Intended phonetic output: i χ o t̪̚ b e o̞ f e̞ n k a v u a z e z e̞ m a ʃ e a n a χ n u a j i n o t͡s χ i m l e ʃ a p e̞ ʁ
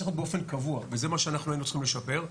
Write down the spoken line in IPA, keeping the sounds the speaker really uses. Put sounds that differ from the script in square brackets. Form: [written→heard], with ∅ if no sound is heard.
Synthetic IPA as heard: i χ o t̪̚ b e o̞ f e̞ n k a v u a [z→v] e z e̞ m a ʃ e a n a χ n u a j i n [o→u] t͡s χ i m l e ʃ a p e̞ ʁ